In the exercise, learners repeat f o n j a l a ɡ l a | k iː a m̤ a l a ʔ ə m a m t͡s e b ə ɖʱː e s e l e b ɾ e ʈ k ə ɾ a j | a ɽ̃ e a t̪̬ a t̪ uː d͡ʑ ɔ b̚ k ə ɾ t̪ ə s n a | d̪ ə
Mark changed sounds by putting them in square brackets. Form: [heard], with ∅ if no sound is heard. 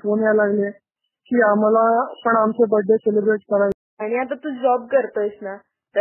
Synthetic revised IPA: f o n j a l a ɡ l [e] | k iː a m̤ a l a [p] ə [ɳ] a m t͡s e b ə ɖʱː e s e l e b ɾ e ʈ k ə ɾ a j | a ɽ̃ [i] a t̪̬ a t̪ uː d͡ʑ ɔ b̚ k ə ɾ t̪ ə s n a | [t̪] ə